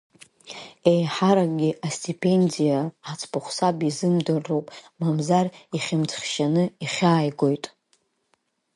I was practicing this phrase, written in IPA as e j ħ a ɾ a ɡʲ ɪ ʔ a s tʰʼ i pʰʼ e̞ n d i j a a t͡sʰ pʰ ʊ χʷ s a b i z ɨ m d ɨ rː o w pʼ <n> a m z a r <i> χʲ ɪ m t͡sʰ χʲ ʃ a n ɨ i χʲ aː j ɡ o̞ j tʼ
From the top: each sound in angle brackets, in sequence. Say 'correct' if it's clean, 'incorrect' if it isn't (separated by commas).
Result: incorrect, correct